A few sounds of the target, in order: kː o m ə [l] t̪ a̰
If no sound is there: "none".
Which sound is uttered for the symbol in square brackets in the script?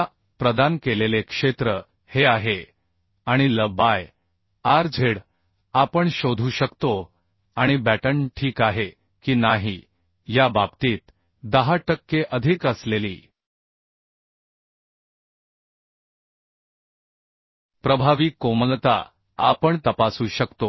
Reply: l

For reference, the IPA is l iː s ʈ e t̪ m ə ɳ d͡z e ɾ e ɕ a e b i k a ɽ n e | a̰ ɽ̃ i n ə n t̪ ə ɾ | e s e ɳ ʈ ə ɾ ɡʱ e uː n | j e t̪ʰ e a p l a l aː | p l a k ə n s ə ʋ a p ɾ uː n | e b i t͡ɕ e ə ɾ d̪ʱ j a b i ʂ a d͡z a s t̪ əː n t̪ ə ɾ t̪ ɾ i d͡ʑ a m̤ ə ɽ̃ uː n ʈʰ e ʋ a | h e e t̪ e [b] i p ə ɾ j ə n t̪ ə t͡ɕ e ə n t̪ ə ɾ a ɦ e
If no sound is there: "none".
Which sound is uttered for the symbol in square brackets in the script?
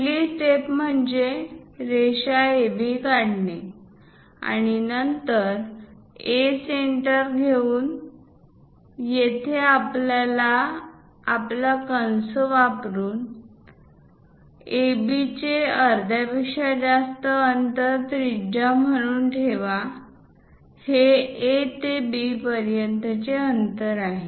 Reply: b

